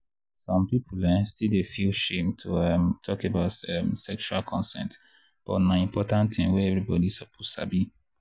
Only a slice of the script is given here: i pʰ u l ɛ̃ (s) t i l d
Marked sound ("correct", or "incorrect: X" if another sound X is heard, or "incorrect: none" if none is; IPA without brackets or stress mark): correct